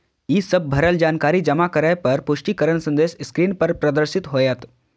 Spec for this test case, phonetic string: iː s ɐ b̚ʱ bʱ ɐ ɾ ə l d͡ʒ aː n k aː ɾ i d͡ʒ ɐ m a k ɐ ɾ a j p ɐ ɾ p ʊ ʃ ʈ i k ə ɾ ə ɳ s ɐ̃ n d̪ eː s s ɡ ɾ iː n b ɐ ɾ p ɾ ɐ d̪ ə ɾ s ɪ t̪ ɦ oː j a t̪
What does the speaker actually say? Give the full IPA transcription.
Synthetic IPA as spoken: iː s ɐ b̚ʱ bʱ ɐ ɾ ə l d͡ʒ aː n k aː ɾ i d͡ʒ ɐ m a k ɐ ɾ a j p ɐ ɾ p ʊ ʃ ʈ i k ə ɾ ə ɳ s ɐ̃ n d̪ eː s s k ɾ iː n p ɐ ɾ p ɾ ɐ d̪ ə ɾ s ɪ t̪ ɦ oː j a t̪